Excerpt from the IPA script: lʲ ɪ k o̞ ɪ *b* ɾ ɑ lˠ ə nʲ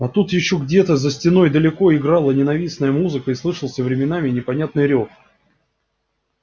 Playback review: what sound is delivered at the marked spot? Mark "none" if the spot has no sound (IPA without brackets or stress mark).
ɡ